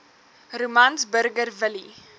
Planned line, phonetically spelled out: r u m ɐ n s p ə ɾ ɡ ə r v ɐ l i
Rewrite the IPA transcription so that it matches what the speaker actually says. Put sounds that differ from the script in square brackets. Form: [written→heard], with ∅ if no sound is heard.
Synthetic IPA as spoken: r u m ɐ n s [p→b] ə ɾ ɡ ə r v [ɐ→ə] l i